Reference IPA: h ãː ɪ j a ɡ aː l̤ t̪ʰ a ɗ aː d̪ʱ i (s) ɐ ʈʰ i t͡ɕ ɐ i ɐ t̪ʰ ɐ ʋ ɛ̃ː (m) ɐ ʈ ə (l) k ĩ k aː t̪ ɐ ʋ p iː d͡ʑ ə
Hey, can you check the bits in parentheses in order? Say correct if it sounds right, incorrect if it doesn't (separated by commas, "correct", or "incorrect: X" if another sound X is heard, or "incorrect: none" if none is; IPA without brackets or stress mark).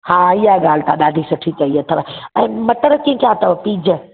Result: correct, correct, incorrect: ɾ